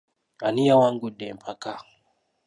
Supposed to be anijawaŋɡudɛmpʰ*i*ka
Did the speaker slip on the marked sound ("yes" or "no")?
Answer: yes